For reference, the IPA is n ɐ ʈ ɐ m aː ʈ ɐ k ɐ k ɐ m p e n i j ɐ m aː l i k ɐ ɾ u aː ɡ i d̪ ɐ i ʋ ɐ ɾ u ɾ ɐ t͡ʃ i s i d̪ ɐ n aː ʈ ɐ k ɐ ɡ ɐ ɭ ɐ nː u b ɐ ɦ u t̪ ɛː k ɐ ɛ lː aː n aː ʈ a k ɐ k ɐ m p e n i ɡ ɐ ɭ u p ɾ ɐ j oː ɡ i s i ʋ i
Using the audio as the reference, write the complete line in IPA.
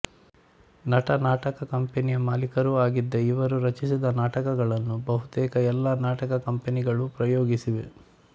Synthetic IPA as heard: n ɐ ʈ ɐ n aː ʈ ɐ k ɐ k ɐ m p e n i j ɐ m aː l i k ɐ ɾ u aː ɡ i d̪ː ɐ i ʋ ɐ ɾ u ɾ ɐ t͡ʃ i s i d̪ ɐ n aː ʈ ɐ k ɐ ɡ ɐ ɭ ɐ nː u b ɐ ɦ u t̪ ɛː k ɐ ɛ lː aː n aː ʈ ɐ k ɐ k ɐ m p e n i ɡ ɐ ɭ u p ɾ ɐ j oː ɡ i s i ʋ e

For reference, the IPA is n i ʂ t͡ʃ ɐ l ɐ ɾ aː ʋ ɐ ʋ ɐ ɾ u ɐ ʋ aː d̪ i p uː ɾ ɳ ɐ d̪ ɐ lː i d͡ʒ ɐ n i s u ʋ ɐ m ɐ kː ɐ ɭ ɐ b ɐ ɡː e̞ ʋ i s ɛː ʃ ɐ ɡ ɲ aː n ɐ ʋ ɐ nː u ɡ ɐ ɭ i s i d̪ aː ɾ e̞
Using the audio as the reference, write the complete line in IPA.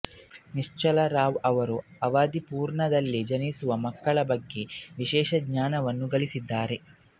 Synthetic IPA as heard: n i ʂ t͡ʃ ɐ l ɐ ɾ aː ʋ ɐ ʋ ɐ ɾ u ɐ ʋ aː d̪ i p uː ɾ ɳ ɐ d̪ ɐ lː i d͡ʒ ɐ n i s u ʋ ɐ m ɐ kː ɐ ɭ ɐ b ɐ ɡː e̞ ʋ i ʃ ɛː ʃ ɐ ɡ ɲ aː n ɐ ʋ ɐ nː u ɡ ɐ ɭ i s i d̪ː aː ɾ e̞

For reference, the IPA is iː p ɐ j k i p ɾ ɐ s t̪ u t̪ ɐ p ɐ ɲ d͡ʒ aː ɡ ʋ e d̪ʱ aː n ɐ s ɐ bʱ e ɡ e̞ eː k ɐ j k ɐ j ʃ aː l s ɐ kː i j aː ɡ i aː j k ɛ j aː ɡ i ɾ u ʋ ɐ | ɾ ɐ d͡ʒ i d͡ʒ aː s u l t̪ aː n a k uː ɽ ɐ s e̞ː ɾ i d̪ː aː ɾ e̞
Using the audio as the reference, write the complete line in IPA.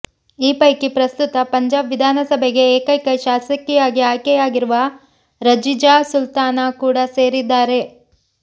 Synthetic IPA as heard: iː p ɐ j k i p ɾ ɐ s t̪ u t̪ ɐ p ɐ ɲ d͡ʒ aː b ʋ i d̪ʱ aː n ɐ s ɐ bʱ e ɡ e̞ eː k ɐ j k ɐ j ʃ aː s ɐ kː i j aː ɡ i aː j k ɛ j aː ɡ i ɾ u ʋ ɐ | ɾ ɐ d͡ʒ i d͡ʒ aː s u l t̪ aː n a k uː ɽ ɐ s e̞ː ɾ i d̪ː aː ɾ e̞

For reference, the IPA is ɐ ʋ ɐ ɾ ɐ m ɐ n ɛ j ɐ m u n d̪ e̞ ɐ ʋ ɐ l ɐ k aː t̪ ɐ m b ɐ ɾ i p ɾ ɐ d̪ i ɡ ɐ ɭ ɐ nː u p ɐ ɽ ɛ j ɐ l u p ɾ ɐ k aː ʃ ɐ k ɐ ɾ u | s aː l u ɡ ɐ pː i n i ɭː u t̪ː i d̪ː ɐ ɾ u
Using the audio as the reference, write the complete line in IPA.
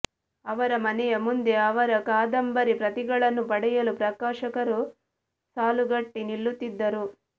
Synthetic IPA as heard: ɐ ʋ ɐ ɾ ɐ m ɐ n ɛ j ɐ m u n d̪ e̞ ɐ ʋ ɐ ɾ ɐ k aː d̪ ɐ m b ɐ ɾ i p ɾ ɐ t̪ i ɡ ɐ ɭ ɐ nː u p ɐ ɽ ɛ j ɐ l u p ɾ ɐ k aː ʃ ɐ k ɐ ɾ u | s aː l u ɡ ɐ ʈː i n i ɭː u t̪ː i d̪ː ɐ ɾ u

